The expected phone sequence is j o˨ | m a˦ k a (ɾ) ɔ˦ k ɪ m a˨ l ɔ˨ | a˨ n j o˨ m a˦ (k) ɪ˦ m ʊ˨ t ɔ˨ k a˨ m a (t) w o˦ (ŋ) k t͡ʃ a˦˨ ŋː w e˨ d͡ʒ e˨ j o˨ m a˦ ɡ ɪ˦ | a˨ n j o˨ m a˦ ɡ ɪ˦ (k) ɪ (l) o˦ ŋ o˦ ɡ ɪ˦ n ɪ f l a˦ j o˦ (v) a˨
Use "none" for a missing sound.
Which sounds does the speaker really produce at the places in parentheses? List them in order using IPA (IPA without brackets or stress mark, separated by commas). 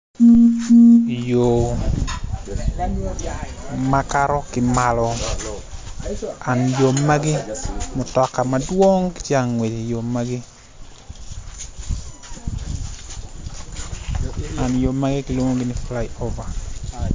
ɾ, ɡ, d, ŋ, k, l, v